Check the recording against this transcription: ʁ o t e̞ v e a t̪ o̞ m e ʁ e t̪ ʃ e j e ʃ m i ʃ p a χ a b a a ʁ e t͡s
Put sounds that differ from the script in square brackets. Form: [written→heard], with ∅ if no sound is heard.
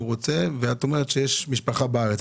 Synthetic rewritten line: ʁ o [t→t͡s] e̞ v e a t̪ o̞ m e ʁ e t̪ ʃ e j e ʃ m i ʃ p a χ a b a a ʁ e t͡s